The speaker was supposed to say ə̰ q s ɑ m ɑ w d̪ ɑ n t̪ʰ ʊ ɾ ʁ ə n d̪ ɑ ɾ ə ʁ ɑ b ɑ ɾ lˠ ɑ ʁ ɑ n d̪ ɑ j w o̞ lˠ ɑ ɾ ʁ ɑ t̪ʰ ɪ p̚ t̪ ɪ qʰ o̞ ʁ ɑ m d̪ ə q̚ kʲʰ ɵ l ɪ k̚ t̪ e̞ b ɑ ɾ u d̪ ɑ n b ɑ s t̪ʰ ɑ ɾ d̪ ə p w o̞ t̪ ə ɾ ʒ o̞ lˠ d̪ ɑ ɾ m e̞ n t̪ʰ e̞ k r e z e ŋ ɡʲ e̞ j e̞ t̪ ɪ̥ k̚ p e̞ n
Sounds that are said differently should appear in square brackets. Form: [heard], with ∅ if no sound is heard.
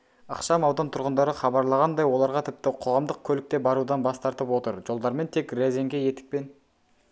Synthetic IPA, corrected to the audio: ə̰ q [ʃ] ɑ m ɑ w d̪ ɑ n t̪ʰ ʊ ɾ ʁ ə n d̪ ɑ ɾ ə [χ] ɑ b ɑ ɾ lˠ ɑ ʁ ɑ n d̪ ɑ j w o̞ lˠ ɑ ɾ ʁ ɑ t̪ʰ ɪ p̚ t̪ ɪ qʰ o̞ ʁ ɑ m d̪ ə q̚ kʲʰ ɵ l ɪ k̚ t̪ e̞ b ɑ ɾ u d̪ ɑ n b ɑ s [t̪] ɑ ɾ [t̪] ə p w o̞ t̪ ə ɾ ʒ o̞ lˠ d̪ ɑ ɾ m e̞ n t̪ʰ e̞ k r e z e ŋ ɡʲ e̞ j e̞ t̪ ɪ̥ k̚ p e̞ n